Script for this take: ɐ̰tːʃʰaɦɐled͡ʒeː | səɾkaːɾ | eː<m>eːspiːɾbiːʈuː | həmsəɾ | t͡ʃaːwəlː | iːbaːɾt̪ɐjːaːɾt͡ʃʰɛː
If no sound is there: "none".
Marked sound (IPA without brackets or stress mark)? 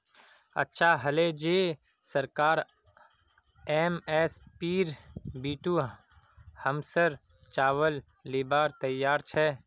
m